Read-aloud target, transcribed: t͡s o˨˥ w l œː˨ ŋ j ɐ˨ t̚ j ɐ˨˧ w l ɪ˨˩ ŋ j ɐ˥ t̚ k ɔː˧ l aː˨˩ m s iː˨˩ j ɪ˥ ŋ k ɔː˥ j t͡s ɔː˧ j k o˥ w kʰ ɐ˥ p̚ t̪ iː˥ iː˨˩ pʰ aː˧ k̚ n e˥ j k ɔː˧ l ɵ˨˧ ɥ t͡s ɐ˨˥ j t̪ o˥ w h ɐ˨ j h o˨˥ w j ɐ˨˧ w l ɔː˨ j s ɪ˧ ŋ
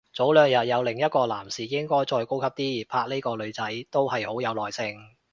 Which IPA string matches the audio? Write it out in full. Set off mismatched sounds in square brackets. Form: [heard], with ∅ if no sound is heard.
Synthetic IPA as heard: t͡s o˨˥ w l œː˨ ŋ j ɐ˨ t̚ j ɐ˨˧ w l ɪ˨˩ ŋ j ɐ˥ t̚ k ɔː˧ l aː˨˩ m s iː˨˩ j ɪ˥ ŋ k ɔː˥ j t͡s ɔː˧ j k o˥ w kʰ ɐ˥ p̚ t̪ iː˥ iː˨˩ pʰ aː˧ k̚ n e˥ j k ɔː˧ l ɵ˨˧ ɥ t͡s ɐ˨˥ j t̪ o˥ w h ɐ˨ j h o˨˥ w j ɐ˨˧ w l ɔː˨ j s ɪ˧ ŋ